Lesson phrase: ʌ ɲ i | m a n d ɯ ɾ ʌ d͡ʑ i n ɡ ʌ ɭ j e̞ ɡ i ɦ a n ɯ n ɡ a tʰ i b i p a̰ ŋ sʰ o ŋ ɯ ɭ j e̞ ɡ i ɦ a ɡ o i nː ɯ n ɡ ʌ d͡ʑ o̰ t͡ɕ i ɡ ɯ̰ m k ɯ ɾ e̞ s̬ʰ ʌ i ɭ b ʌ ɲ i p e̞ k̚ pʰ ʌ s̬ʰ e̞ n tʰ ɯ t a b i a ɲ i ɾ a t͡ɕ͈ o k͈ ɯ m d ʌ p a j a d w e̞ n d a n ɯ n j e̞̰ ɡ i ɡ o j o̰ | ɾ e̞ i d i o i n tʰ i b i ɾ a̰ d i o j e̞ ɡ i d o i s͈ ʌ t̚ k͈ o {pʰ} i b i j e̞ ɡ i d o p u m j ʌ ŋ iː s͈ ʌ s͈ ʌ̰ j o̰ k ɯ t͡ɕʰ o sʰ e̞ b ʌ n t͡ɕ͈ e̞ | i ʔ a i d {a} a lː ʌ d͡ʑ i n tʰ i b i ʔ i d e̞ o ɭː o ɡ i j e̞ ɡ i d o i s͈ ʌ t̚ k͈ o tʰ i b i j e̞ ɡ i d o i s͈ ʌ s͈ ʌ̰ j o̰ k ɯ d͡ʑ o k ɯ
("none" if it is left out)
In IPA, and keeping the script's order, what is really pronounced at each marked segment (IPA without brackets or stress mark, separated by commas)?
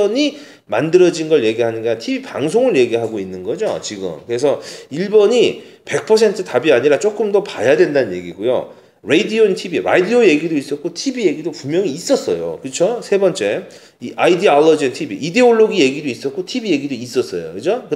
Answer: tʰ, i